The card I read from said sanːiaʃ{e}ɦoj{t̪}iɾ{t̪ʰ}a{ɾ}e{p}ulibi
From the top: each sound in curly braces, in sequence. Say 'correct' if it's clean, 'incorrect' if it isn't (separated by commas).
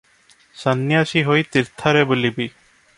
incorrect, correct, correct, correct, incorrect